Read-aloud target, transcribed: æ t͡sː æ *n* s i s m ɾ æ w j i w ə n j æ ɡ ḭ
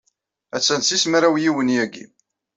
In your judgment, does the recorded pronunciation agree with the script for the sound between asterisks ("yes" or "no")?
yes